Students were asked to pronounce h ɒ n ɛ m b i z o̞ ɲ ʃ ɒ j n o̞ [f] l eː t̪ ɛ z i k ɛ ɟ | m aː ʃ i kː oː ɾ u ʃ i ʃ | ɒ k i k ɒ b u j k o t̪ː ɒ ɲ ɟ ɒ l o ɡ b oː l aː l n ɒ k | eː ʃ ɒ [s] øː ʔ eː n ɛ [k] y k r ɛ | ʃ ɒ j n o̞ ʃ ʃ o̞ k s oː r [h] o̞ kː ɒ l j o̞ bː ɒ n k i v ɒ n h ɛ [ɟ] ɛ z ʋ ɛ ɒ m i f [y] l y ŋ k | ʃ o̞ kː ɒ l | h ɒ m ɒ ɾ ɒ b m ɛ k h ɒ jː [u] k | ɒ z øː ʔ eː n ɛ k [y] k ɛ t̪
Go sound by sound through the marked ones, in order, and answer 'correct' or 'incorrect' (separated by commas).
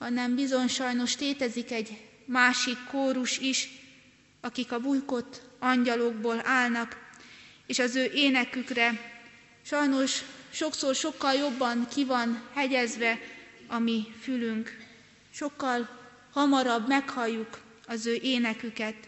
incorrect, incorrect, correct, incorrect, correct, correct, correct, correct